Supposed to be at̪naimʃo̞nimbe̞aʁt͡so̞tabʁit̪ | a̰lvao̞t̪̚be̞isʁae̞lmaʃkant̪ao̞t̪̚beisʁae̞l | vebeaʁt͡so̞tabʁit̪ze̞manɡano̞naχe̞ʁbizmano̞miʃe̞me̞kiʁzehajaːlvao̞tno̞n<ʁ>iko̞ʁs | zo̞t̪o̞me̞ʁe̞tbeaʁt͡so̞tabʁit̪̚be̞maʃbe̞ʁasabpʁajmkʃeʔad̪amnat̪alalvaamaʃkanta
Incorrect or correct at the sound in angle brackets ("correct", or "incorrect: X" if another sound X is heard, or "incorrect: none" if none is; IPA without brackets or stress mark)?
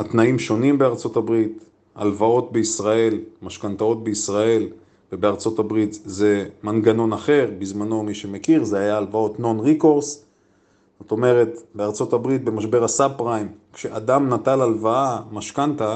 correct